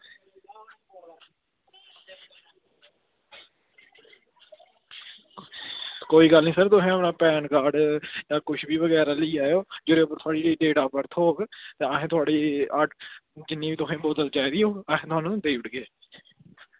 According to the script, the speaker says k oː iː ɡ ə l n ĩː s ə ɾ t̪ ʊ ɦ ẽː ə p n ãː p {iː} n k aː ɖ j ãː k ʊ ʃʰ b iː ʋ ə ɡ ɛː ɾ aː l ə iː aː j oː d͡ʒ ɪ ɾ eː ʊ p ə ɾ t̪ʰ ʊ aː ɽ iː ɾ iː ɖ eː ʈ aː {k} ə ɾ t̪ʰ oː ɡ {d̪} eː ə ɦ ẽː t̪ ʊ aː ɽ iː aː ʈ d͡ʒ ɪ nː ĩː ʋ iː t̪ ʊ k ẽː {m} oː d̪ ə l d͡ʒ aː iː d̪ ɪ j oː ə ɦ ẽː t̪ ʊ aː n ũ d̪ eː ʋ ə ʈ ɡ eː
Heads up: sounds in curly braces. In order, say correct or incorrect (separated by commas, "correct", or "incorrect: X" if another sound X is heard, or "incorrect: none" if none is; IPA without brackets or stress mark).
incorrect: ɛː, incorrect: p, incorrect: t̪, incorrect: b